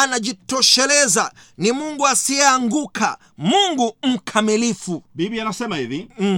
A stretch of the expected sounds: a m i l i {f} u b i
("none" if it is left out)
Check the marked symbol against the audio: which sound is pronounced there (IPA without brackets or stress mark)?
f